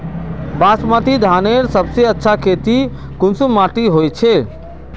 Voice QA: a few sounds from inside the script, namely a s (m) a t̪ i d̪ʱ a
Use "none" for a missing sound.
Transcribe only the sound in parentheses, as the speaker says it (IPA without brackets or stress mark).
m